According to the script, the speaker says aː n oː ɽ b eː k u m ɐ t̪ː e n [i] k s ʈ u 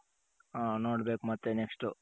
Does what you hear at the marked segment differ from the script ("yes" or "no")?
yes